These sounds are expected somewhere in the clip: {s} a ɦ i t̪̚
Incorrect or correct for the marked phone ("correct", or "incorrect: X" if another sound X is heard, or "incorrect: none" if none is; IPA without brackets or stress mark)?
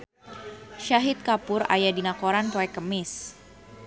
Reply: incorrect: ʃ